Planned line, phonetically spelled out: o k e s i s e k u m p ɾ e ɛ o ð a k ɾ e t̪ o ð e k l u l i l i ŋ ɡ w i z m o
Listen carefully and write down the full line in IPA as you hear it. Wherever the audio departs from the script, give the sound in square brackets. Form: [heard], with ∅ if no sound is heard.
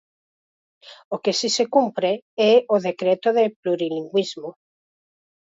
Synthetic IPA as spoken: o k e s i s e k u m p ɾ e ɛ o ð [e] k ɾ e t̪ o ð e [p] l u [ɾ] i l i ŋ ɡ w i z m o